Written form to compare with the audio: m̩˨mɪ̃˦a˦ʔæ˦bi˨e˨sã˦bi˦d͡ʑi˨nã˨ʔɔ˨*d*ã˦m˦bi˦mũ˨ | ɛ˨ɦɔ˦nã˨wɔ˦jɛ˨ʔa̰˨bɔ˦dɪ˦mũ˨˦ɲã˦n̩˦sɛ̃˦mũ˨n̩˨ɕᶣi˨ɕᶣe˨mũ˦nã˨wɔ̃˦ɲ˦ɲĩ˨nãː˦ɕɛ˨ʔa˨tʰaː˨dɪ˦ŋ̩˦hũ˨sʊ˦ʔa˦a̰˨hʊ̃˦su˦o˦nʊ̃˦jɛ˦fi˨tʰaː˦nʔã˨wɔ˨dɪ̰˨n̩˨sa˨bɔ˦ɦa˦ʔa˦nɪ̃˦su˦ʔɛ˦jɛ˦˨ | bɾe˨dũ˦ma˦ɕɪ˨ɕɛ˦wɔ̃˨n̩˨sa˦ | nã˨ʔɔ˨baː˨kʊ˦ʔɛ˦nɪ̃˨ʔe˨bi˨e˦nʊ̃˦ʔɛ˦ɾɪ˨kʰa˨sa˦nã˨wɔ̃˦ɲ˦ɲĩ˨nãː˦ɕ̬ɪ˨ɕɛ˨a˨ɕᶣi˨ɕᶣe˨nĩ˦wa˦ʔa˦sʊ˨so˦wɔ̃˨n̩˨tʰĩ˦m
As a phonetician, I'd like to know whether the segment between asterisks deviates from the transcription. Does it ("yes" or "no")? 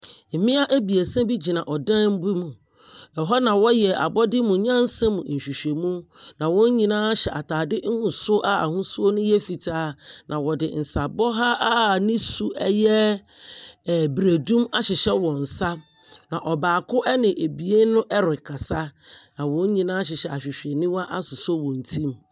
no